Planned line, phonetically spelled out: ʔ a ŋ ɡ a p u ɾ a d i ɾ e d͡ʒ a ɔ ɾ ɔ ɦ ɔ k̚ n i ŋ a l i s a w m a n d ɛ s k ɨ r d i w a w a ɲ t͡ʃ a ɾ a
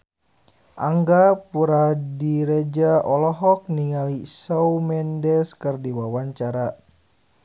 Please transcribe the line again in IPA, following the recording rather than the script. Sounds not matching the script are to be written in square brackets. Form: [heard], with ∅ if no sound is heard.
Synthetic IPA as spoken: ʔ a ŋ ɡ a p u ɾ a d i ɾ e d͡ʒ a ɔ [l] ɔ ɦ ɔ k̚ n i ŋ a l i s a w m [ɛ] n d ɛ s k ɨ r d i w a w a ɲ t͡ʃ a ɾ a